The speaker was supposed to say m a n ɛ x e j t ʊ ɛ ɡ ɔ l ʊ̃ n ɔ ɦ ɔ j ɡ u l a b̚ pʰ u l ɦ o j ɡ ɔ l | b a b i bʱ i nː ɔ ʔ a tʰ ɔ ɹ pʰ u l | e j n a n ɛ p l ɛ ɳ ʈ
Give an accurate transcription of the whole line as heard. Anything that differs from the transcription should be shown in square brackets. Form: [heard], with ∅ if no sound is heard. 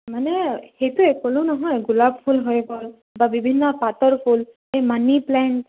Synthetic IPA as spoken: m a n ɛ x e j t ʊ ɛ [k] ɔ l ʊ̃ n ɔ ɦ ɔ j ɡ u l a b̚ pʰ u l ɦ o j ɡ ɔ l | b a b i bʱ i nː ɔ [p] a [t] ɔ ɹ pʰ u l | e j [m] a n [i] p l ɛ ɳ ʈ